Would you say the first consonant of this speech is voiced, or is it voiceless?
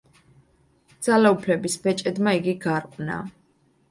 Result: voiced